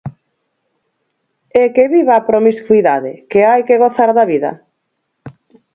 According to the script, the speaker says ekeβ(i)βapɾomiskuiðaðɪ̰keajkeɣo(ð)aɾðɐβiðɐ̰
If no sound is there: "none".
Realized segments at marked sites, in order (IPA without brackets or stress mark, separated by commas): i, θ